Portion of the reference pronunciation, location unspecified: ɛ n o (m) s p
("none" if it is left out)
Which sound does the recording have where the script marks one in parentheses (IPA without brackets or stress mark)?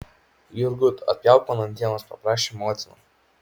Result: none